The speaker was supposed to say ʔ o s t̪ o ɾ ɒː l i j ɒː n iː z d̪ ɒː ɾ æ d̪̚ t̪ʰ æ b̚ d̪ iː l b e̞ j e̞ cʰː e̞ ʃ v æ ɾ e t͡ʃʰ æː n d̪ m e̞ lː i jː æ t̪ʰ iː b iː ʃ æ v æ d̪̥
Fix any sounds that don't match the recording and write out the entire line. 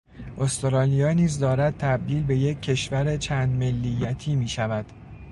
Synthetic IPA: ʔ o s t̪ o ɾ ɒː l i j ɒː n iː z d̪ ɒː ɾ æ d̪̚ t̪ʰ æ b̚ d̪ iː l b e̞ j e̞ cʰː e̞ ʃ v æ ɾ e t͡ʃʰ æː n d̪ m e̞ lː i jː æ t̪ʰ iː m iː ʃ æ v æ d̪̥

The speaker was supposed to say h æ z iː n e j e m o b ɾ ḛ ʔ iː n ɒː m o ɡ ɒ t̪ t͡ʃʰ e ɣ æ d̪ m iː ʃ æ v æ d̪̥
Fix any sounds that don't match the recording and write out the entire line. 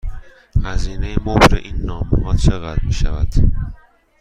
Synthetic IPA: h æ z iː n e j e m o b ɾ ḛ ʔ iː nː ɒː m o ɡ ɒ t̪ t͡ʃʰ e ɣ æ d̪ m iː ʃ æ v æ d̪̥

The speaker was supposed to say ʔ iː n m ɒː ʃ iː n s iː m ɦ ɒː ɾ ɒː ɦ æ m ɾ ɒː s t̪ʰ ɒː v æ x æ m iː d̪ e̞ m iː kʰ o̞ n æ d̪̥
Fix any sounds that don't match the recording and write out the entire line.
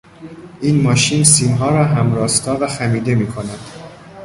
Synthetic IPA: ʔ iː n m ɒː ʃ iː n s iː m ɦ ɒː ɾ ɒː ɦ æ m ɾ ɒː s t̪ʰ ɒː v æ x æ m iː d̪ e̞ m iː kʰ o̞ n æ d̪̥

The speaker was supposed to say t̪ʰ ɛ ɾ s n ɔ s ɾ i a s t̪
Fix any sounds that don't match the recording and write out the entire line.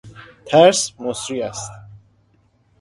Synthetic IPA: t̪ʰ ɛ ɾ s m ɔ s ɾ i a s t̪

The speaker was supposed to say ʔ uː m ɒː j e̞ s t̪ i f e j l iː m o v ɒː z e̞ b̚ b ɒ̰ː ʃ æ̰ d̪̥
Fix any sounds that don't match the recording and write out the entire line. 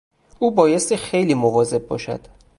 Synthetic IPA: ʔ uː b ɒː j e̞ s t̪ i x e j l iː m o v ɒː z e̞ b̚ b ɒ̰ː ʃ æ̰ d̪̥

